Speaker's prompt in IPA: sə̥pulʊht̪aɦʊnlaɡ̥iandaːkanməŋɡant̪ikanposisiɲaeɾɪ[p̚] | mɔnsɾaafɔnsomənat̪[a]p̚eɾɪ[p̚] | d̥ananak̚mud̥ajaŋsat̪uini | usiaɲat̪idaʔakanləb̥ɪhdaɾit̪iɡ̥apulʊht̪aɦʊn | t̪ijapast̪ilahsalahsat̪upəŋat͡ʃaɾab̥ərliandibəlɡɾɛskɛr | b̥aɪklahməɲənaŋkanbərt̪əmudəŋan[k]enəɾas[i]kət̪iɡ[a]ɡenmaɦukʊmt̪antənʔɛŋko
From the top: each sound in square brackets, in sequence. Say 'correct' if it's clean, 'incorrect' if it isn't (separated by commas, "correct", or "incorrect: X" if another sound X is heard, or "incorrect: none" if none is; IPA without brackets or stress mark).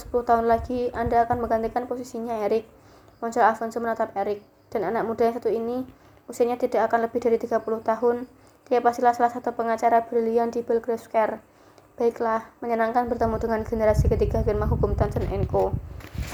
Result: incorrect: k̚, correct, incorrect: k̚, incorrect: ɡ, correct, correct